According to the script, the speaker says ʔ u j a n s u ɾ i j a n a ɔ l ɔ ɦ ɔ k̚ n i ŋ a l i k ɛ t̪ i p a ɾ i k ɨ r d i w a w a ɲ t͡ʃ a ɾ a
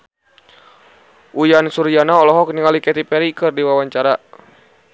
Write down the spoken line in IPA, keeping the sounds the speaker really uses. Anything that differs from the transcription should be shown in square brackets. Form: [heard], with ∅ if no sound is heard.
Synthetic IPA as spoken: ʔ u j a n s u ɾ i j a n a ɔ l ɔ ɦ ɔ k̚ n i ŋ a l i k ɛ t̪ i p [ɛ] ɾ i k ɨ r d i w a w a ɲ t͡ʃ a ɾ a